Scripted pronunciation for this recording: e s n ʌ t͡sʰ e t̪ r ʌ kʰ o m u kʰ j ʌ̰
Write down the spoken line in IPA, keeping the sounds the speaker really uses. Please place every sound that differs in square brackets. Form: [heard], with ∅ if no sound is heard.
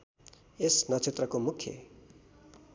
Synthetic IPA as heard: e s n ʌ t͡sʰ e t̪ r ʌ [k] o m u kʰ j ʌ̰